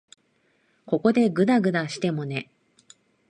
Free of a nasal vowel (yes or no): yes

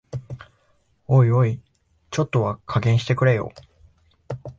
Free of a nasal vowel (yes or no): no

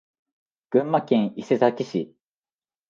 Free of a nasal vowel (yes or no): no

